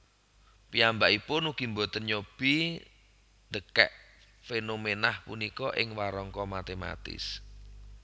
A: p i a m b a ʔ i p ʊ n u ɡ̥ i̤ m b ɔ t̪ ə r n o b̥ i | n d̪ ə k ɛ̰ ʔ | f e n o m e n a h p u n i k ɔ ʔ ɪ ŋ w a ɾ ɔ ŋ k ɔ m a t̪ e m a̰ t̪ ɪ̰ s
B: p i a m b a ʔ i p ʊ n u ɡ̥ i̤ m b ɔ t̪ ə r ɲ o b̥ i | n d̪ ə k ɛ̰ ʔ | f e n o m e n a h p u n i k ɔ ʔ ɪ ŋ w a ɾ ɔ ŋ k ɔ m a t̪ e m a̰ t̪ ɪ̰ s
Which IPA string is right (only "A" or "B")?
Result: B